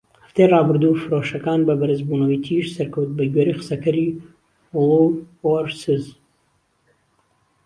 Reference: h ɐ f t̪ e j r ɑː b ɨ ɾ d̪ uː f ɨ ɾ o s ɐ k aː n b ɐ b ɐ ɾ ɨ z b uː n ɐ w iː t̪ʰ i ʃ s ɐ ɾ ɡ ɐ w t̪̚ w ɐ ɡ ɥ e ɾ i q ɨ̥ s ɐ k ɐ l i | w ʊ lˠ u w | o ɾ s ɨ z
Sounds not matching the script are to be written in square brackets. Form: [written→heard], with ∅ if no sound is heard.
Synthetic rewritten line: h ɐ f t̪ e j r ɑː b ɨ ɾ d̪ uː f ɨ ɾ o [s→ʃ] ɐ k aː n b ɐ b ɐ ɾ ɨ z b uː n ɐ w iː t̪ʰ i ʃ s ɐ ɾ [ɡ→k] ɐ w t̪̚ [w→b] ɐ ɡ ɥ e ɾ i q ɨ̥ s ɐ k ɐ [l→ɾ] i | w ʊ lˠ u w | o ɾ s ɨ z